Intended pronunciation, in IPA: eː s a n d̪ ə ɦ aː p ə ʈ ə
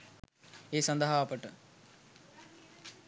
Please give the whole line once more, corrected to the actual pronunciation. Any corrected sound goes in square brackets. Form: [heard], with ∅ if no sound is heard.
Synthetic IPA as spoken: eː s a n d̪ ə ɦ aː p ə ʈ ə